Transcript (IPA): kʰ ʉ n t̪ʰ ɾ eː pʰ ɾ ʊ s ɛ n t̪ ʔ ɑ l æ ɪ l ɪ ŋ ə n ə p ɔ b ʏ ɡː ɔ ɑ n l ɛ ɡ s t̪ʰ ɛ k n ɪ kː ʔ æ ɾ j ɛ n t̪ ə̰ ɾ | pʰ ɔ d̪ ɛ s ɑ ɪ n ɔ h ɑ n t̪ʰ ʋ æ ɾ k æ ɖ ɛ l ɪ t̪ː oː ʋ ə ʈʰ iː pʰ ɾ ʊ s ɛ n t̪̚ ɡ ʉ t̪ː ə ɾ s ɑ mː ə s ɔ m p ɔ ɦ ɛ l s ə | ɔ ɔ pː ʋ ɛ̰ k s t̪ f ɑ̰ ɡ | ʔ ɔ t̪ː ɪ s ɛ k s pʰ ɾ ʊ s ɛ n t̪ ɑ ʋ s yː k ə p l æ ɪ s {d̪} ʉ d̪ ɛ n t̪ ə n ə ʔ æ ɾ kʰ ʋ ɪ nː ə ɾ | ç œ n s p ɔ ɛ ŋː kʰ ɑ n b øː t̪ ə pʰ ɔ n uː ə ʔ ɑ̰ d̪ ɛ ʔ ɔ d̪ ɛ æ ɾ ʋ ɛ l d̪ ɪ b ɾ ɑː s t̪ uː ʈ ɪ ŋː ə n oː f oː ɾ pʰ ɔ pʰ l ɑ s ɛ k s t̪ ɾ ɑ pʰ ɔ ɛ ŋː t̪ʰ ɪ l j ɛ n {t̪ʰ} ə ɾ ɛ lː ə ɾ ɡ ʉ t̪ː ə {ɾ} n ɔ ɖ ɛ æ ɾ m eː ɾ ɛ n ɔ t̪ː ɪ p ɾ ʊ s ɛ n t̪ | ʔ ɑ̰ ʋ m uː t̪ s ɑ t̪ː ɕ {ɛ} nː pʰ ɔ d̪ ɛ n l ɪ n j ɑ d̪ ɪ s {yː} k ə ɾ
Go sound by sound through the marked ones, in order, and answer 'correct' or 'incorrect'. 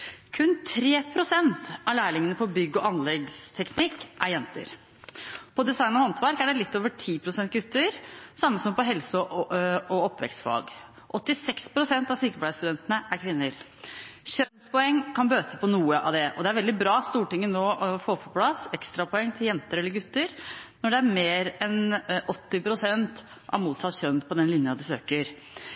incorrect, incorrect, correct, incorrect, incorrect

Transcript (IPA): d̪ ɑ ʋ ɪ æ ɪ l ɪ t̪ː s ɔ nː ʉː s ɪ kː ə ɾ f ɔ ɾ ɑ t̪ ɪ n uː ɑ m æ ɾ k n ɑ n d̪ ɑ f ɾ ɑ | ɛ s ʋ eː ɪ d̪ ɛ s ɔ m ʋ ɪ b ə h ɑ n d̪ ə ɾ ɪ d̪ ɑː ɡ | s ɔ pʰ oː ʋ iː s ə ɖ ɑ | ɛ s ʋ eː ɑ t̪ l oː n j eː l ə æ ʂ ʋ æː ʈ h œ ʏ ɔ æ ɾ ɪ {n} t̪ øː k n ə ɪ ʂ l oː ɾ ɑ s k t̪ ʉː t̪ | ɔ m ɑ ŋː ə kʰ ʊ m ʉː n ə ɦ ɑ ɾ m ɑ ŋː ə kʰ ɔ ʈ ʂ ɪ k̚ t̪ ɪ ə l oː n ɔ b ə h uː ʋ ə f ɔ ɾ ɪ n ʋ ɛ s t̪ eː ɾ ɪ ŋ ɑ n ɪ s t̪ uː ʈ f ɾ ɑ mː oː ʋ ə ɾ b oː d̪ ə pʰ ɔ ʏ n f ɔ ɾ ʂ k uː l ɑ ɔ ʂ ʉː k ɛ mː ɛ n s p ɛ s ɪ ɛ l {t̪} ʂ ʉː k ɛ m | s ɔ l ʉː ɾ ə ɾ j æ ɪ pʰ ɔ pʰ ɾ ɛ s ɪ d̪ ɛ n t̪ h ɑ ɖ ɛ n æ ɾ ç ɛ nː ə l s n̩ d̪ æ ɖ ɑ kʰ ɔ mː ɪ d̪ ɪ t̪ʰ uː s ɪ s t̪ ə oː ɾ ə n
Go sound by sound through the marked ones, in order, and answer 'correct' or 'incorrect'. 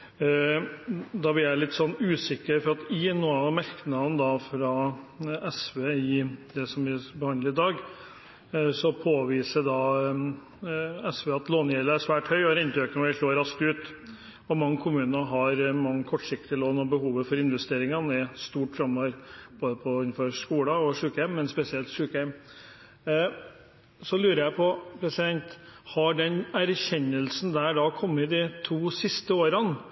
correct, correct

